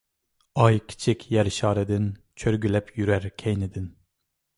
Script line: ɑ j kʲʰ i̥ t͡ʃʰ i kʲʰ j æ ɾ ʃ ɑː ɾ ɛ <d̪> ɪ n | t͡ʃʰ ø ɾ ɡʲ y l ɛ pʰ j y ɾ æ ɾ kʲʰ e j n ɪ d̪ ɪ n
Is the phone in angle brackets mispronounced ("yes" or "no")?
no